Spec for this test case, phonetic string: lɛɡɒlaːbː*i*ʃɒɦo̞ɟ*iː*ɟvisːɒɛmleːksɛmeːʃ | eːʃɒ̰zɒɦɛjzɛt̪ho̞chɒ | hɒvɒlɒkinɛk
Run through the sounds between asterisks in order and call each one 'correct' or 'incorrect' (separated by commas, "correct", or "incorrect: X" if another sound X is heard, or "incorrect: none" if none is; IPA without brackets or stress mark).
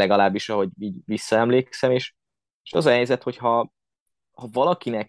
correct, correct